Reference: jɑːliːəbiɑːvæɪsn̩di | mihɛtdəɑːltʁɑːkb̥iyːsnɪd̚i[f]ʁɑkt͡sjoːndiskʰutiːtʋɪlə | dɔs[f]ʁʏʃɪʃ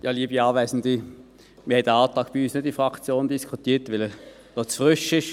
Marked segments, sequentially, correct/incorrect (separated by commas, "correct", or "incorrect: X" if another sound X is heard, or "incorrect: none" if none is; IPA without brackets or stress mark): correct, correct